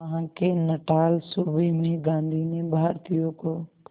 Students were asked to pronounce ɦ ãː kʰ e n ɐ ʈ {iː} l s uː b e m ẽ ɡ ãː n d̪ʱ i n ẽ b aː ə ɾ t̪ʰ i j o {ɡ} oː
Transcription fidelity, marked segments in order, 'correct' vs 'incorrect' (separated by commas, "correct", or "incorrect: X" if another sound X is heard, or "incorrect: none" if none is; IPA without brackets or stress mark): incorrect: aː, incorrect: k